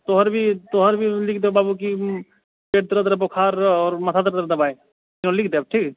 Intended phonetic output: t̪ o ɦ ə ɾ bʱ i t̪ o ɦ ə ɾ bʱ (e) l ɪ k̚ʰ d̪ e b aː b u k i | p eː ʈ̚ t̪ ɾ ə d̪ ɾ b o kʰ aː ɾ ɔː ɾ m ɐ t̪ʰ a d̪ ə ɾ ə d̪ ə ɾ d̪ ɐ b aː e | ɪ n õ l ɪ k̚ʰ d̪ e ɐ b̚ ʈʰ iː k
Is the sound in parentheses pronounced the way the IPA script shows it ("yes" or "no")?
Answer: no